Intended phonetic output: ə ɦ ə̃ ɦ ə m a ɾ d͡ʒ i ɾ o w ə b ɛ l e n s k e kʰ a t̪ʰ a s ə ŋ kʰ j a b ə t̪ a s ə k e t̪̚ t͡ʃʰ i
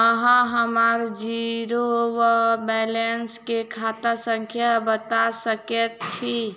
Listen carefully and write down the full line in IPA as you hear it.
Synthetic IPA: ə ɦ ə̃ ɦ ə m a ɾ d͡ʒ i ɾ o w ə b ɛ l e n s k e kʰ a t̪ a s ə ŋ kʰ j a b ə t̪ a s ə k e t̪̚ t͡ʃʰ i